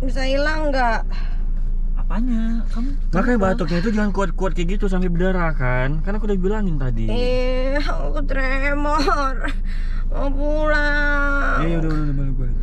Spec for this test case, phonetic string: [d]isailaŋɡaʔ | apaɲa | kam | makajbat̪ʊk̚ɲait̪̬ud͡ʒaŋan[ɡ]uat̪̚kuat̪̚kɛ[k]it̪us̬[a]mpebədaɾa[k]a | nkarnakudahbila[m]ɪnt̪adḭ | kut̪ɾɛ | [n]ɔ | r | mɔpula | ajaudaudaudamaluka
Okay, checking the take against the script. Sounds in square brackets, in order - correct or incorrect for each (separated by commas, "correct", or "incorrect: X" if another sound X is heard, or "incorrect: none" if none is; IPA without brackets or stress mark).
incorrect: b, incorrect: k, incorrect: ɡ, correct, correct, incorrect: ŋ, incorrect: m